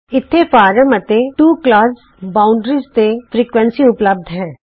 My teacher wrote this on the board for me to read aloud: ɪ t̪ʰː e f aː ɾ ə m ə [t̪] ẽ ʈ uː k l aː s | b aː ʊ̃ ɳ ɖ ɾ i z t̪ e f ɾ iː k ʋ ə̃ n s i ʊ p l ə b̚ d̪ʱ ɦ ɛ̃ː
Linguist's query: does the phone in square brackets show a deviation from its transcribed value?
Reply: no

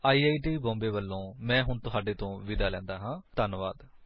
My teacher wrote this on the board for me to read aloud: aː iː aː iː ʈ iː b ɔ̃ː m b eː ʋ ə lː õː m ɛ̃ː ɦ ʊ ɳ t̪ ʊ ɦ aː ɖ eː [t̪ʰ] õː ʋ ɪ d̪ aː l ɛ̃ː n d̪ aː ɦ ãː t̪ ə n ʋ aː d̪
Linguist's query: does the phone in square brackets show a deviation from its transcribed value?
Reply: yes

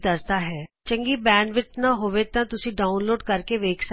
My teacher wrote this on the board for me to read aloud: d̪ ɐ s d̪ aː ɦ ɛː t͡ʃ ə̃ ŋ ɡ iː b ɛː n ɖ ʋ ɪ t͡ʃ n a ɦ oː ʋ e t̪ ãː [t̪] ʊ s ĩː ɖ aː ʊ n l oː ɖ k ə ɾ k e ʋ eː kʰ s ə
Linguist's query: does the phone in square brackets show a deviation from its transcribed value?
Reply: no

